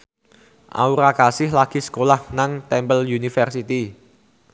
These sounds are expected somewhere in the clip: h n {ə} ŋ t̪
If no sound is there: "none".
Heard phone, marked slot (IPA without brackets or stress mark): a